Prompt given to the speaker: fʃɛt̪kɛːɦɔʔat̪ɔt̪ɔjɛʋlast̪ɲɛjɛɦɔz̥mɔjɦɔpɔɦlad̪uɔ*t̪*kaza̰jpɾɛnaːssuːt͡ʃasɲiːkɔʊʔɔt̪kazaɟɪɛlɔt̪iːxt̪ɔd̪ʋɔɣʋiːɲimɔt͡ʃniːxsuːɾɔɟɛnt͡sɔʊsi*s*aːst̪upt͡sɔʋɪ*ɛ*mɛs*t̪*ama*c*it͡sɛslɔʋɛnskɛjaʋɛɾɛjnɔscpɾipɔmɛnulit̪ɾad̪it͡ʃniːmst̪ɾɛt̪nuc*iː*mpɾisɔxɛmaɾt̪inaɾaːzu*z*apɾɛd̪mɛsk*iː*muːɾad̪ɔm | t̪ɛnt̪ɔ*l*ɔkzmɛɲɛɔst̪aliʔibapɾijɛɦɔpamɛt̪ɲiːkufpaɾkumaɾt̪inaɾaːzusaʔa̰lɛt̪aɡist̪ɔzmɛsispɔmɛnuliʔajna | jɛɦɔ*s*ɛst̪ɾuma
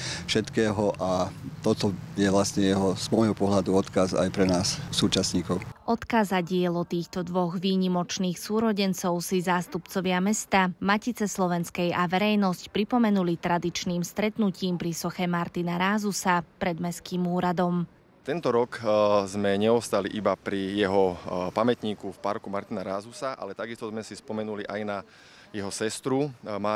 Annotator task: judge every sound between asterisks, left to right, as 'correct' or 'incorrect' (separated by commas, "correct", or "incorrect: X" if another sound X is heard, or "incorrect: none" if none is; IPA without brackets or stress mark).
correct, incorrect: z, incorrect: a, correct, correct, correct, incorrect: s, correct, incorrect: ɾ, correct